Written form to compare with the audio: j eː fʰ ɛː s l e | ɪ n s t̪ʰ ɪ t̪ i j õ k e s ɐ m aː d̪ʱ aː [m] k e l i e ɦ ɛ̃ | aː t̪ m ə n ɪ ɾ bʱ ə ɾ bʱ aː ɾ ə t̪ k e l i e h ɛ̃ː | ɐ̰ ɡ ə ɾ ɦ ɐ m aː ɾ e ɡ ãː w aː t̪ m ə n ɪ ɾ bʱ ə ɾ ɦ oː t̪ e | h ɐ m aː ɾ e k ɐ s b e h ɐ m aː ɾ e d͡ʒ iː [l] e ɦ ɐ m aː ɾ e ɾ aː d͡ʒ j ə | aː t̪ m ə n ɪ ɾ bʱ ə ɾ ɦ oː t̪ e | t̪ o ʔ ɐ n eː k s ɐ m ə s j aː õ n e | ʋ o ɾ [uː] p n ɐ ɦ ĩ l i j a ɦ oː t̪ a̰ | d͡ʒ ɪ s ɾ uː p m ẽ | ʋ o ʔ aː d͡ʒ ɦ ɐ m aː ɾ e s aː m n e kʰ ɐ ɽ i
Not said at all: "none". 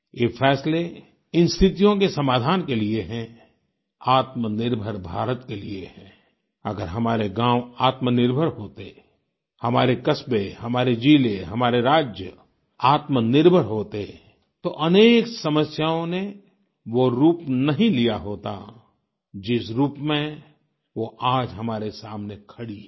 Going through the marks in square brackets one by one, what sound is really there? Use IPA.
n, l, uː

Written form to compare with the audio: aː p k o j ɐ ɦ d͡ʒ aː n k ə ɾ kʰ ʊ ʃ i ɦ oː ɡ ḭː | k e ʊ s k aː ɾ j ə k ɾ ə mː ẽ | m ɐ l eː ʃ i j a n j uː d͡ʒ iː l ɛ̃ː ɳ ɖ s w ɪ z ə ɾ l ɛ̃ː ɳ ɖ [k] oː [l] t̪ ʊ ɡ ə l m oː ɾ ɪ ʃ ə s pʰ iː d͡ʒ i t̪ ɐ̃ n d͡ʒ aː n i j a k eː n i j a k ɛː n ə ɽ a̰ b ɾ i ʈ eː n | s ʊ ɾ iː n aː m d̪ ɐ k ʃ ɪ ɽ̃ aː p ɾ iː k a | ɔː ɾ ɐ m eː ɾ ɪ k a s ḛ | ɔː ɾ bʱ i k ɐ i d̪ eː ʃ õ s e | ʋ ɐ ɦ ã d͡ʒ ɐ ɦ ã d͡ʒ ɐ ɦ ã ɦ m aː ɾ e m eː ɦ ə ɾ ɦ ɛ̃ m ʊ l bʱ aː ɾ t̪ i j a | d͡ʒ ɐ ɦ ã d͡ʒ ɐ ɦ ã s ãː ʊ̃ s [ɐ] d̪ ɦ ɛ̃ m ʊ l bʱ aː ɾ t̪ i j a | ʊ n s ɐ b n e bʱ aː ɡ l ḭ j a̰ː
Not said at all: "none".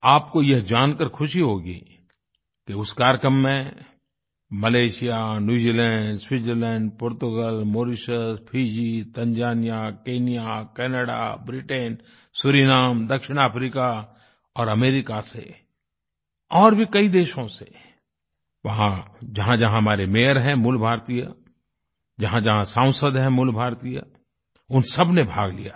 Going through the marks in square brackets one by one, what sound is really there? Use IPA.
p, ɾ, ə

